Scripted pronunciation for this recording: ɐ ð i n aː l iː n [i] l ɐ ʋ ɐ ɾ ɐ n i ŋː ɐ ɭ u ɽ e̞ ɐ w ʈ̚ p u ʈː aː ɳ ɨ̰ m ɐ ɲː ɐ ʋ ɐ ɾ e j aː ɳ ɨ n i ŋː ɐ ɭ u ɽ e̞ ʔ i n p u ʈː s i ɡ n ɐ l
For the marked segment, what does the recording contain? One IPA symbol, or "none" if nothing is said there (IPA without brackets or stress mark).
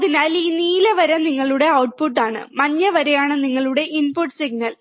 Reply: iː